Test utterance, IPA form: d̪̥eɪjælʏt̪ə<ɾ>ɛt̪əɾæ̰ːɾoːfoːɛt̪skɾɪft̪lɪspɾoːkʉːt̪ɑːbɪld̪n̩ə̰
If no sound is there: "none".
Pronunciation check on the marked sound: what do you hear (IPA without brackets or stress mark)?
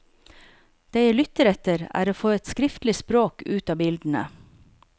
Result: ɾ